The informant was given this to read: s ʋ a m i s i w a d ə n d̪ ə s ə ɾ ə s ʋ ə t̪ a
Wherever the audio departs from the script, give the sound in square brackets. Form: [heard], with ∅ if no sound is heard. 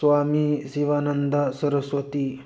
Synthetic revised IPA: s ʋ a m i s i [ʋ] a [n] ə n d̪ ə s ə ɾ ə s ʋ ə t̪ [i]